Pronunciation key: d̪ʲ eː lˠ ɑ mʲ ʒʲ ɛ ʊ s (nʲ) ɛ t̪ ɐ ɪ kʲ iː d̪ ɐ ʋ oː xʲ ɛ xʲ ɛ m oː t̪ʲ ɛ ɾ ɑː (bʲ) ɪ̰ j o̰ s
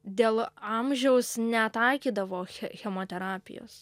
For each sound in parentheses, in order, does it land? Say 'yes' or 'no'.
yes, no

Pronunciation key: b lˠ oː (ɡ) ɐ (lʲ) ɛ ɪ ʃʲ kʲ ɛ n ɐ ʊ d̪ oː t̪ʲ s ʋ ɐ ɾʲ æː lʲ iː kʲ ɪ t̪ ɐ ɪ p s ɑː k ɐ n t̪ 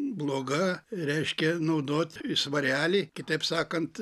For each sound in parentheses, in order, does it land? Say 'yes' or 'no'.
yes, no

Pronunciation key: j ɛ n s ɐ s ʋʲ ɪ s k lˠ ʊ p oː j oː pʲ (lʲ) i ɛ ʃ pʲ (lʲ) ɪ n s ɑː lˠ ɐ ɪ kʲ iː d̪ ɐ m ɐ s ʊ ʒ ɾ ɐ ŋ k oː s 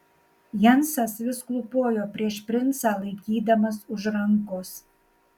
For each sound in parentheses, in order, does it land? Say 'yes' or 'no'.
no, no

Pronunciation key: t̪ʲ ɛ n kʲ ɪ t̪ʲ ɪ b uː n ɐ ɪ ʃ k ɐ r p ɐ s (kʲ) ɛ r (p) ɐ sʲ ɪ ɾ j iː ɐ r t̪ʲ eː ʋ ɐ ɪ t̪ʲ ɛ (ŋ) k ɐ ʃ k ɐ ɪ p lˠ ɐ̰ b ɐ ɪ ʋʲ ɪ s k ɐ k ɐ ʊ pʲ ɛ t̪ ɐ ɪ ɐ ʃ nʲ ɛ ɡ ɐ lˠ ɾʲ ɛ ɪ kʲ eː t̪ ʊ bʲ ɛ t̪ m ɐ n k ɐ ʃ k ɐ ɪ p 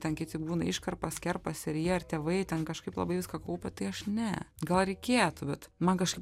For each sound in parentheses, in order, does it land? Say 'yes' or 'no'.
yes, yes, no

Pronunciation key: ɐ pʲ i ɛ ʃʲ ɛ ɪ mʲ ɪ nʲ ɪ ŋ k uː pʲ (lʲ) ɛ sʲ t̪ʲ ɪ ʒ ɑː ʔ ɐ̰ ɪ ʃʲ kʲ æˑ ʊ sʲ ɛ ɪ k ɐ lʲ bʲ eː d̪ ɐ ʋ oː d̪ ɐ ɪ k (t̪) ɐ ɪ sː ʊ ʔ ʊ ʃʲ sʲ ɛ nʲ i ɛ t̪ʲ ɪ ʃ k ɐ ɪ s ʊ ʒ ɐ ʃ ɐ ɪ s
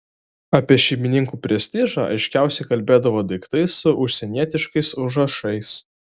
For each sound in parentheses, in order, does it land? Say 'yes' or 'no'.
no, yes

